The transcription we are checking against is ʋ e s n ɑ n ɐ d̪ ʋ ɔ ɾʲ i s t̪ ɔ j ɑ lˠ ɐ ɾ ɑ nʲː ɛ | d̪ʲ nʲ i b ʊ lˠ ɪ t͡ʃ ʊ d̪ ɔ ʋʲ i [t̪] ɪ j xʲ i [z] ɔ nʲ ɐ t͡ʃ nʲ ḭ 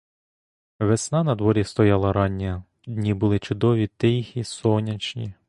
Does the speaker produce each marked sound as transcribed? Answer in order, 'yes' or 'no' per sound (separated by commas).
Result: yes, no